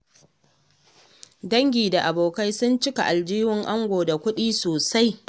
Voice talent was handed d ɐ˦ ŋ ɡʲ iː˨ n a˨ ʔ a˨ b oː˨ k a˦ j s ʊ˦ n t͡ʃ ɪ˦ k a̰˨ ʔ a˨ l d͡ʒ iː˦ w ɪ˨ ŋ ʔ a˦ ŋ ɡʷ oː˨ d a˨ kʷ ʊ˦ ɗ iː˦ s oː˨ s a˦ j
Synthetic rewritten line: d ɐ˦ ŋ ɡʲ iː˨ d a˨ ʔ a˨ b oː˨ k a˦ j s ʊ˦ n t͡ʃ ɪ˦ k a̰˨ ʔ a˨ l d͡ʒ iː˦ w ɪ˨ ŋ ʔ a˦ ŋ ɡʷ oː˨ d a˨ kʷ ʊ˦ ɗ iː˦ s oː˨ s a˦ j